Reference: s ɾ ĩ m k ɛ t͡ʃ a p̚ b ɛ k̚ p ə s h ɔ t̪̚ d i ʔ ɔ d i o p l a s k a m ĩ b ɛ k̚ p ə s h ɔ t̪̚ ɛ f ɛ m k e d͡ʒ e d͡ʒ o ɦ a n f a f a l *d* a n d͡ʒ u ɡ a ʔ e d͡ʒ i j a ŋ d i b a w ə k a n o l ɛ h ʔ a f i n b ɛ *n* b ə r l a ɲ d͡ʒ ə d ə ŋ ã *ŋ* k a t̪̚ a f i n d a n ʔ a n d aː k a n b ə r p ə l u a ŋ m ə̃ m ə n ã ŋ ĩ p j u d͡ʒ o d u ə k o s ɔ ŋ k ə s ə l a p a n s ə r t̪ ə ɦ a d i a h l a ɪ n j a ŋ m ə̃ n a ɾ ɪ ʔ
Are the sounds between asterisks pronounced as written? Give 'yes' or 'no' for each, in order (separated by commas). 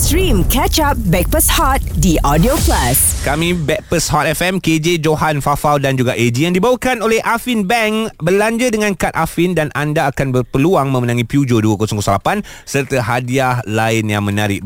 yes, no, no